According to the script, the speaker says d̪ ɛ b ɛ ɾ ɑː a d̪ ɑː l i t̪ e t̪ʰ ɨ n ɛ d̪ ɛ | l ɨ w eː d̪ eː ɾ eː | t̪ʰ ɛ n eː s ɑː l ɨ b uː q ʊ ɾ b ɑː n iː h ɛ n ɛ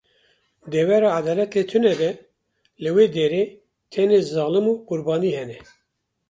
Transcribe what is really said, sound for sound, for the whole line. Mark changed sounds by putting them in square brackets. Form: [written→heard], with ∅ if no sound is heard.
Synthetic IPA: d̪ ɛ [b→w] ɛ ɾ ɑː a d̪ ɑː l [i→ɛ] t̪ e t̪ʰ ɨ n ɛ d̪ ɛ | l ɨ w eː d̪ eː ɾ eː | t̪ʰ ɛ n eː [s→z] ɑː l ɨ [b→m] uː q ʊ ɾ b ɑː n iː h ɛ n ɛ